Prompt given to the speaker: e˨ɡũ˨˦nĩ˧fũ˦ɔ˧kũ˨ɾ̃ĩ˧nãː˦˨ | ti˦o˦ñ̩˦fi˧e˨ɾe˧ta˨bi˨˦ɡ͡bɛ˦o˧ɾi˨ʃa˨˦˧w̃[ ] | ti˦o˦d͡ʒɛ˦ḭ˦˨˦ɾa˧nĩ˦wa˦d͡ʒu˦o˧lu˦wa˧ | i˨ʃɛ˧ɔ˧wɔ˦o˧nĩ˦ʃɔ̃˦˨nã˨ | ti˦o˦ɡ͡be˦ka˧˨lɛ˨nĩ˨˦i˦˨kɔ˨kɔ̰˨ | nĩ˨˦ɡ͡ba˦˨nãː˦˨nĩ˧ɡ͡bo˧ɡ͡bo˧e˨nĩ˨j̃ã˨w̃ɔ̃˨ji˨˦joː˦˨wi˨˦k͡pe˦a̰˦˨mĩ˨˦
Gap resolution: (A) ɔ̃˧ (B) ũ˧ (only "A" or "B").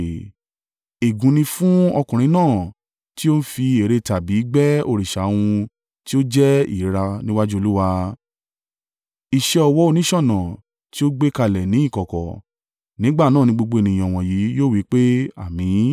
B